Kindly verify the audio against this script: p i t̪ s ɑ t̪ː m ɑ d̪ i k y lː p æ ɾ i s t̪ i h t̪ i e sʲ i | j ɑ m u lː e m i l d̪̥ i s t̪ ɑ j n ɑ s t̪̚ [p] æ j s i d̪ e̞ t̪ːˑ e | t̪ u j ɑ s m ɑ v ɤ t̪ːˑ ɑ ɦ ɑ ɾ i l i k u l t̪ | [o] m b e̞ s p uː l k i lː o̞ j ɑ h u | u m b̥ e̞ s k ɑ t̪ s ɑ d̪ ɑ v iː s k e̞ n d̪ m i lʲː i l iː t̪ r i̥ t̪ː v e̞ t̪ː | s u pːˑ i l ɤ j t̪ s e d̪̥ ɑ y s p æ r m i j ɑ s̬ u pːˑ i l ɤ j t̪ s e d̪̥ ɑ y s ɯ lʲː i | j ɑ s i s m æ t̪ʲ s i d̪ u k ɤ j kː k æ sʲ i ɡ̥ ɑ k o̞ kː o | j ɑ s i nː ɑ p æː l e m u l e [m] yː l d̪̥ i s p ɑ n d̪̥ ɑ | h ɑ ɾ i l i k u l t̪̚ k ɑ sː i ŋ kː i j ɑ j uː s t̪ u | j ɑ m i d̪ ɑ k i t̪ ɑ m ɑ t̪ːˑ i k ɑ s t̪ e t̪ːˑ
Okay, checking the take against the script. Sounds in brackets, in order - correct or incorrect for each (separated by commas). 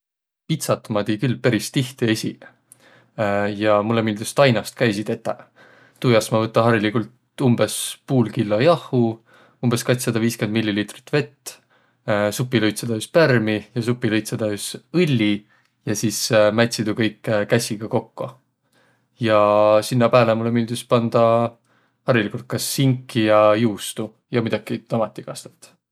incorrect, incorrect, correct